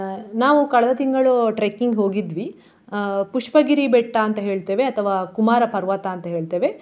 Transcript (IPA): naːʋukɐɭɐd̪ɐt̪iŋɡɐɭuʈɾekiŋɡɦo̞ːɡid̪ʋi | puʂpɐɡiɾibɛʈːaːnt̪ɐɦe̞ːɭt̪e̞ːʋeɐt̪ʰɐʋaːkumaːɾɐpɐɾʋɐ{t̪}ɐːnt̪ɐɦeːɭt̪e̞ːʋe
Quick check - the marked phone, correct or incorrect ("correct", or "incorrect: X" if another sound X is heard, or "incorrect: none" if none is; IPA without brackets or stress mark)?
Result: correct